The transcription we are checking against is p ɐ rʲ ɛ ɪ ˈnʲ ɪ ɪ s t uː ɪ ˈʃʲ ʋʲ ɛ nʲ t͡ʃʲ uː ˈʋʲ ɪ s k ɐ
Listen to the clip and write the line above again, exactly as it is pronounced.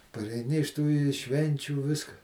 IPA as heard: p ɐ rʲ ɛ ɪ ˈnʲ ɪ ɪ ʃ t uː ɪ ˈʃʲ ʋʲ ɛ nʲ t͡ʃʲ uː ˈʋʲ ɪ s k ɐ